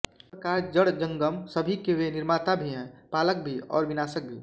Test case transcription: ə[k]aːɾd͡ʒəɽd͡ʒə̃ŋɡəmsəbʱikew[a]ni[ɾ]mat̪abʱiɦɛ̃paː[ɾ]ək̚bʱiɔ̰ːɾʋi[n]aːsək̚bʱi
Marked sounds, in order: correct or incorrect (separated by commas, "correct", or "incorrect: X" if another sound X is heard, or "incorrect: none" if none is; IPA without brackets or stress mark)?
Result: correct, incorrect: e, correct, incorrect: l, correct